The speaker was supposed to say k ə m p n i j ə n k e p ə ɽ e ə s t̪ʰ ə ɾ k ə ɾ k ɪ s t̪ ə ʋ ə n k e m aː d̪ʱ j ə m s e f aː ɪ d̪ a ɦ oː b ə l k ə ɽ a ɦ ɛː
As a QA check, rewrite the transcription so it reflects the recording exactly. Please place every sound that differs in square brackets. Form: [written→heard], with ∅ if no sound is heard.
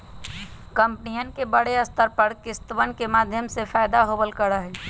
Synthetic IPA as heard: k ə m p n i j ə n k e [p→b] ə ɽ e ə s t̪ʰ ə ɾ [k→p] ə ɾ k ɪ s t̪ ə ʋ ə n k e m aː d̪ʱ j ə m s e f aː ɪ d̪ a ɦ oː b ə l k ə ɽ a ɦ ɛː